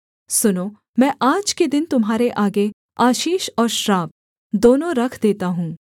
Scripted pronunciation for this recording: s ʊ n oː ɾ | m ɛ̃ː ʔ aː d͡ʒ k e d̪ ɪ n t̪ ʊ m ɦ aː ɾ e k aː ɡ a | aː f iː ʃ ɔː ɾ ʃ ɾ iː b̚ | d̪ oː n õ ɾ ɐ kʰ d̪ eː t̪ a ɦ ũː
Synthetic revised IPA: s ʊ n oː | m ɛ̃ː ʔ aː d͡ʒ k e d̪ ɪ n t̪ ʊ m ɦ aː ɾ e ʔ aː ɡ e | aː ʃ iː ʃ ɔː ɾ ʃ ɾ aː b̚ | d̪ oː n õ ɾ ɐ kʰ d̪ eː t̪ a ɦ ũː